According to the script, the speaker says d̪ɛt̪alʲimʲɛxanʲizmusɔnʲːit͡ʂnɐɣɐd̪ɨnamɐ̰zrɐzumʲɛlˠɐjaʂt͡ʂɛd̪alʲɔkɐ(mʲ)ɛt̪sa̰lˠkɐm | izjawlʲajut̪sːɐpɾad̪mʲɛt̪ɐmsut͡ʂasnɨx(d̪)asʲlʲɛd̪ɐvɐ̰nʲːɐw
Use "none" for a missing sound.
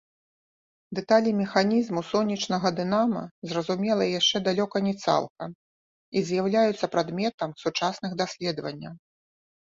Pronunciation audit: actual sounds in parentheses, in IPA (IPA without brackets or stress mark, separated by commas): nʲ, d̪